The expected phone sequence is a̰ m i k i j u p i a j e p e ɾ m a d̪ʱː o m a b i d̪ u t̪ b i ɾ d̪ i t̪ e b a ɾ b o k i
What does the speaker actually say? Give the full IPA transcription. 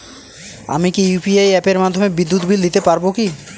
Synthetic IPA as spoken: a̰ m i k i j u p i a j ɛ p e ɾ m a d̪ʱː o m e b i d̪ː u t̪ b i l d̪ i t̪ e p a ɾ b o k i